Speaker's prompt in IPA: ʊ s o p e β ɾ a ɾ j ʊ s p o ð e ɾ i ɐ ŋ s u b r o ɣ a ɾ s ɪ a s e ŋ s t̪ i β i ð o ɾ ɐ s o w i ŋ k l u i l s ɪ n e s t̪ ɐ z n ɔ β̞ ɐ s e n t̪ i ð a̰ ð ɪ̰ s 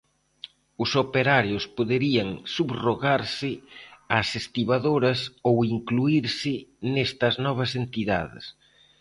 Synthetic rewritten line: ʊ s o p e ɾ a ɾ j ʊ s p o ð e ɾ i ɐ ŋ s u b r o ɣ a ɾ s ɪ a s e s t̪ i β a ð o ɾ ɐ s o w i ŋ k l u i ɾ s ɪ n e s t̪ ɐ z n ɔ β̞ ɐ s e n t̪ i ð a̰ ð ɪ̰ s